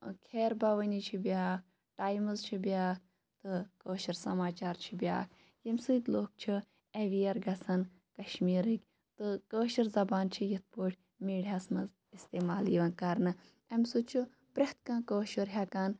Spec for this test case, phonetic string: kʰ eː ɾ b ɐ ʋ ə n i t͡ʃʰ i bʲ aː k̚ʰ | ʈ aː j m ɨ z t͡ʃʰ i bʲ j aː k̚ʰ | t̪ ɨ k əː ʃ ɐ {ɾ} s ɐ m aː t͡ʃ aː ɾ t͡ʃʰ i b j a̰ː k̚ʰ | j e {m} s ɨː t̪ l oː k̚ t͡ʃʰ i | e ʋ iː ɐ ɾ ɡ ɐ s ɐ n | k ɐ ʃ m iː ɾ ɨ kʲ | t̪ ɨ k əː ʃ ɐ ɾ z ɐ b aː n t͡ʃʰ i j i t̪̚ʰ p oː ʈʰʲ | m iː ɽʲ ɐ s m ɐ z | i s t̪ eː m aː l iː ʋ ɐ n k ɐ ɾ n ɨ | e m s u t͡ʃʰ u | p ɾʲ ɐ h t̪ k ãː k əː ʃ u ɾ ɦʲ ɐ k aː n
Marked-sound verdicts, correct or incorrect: correct, correct

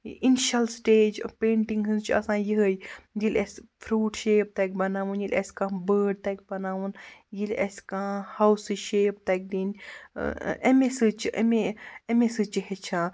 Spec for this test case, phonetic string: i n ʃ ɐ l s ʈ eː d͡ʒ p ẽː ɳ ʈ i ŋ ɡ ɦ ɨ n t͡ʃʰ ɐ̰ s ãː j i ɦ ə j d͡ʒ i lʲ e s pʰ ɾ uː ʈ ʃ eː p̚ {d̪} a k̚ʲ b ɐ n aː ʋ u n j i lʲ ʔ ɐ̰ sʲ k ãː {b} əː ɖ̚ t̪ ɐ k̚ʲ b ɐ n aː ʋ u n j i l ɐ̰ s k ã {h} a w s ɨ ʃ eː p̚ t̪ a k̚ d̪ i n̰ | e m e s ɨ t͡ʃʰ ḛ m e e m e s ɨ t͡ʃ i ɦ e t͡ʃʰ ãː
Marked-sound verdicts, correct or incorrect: incorrect: t̪, correct, correct

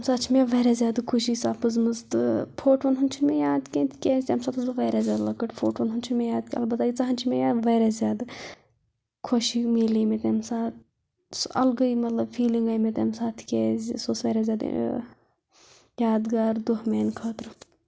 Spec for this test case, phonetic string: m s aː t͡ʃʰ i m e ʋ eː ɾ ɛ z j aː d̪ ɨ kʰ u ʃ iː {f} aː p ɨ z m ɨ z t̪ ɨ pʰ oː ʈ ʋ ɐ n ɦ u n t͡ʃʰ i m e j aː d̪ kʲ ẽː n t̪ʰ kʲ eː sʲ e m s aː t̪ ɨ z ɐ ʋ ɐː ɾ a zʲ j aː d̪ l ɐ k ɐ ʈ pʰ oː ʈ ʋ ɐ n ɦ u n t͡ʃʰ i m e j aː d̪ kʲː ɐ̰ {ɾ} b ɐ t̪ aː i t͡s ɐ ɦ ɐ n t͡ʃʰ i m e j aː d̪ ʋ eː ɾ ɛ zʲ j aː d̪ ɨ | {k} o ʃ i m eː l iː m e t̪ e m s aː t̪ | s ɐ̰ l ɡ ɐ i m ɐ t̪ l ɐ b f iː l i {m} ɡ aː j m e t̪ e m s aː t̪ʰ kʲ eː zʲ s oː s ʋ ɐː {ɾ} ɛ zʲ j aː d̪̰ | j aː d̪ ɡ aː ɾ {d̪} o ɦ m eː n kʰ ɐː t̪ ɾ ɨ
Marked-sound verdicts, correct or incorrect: incorrect: s, incorrect: l, incorrect: kʰ, incorrect: ŋ, correct, correct

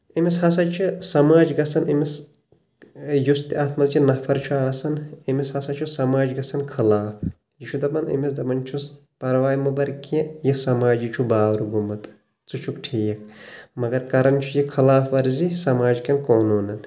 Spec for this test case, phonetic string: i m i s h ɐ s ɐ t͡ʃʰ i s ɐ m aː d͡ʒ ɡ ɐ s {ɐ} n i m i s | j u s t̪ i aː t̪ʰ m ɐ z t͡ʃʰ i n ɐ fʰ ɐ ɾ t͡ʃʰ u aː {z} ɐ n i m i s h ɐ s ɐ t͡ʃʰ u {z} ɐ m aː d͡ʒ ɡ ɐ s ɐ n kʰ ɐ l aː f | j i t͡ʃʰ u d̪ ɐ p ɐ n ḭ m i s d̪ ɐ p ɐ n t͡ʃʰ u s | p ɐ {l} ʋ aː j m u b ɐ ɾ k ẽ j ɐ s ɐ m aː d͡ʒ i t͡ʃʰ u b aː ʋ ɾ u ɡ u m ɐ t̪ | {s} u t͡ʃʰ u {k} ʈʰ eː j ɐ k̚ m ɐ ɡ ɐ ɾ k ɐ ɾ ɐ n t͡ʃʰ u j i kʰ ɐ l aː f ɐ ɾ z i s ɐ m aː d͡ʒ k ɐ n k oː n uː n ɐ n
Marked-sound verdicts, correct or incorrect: correct, incorrect: s, incorrect: s, incorrect: ɾ, incorrect: t͡s, correct

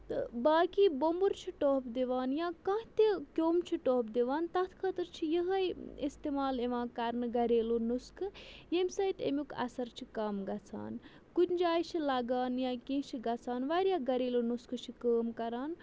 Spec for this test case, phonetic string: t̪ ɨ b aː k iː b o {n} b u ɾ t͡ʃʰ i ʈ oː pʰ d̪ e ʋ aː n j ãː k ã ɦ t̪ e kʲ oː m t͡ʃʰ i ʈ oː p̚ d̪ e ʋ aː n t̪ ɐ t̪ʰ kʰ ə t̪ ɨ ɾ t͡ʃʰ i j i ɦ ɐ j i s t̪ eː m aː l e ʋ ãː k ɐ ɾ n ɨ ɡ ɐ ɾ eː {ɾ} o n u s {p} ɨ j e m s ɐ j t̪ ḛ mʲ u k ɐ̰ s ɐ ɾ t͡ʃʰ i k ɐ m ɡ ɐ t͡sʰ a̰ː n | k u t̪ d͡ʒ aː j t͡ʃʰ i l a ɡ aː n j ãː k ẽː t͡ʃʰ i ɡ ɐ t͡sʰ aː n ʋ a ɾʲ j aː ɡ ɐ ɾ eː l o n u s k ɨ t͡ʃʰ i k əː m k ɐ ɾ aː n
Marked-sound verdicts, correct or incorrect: incorrect: m, incorrect: l, incorrect: k

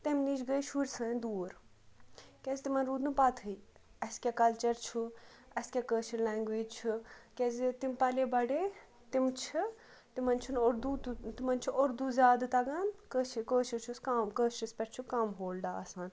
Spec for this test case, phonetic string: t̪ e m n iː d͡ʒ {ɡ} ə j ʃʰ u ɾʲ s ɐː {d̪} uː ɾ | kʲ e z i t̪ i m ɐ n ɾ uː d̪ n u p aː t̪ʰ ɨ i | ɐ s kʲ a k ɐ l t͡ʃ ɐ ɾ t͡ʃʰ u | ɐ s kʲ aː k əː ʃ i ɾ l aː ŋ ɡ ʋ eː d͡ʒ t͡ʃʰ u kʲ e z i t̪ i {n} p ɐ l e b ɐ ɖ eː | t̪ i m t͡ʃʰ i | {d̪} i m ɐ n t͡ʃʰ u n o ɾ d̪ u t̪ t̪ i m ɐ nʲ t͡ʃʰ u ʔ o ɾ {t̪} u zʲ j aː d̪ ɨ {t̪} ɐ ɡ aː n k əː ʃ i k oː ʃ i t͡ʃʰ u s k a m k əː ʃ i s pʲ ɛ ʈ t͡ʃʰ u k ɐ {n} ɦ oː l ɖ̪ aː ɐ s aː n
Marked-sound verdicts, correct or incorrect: correct, correct, incorrect: m, incorrect: t̪, incorrect: d̪, correct, incorrect: m

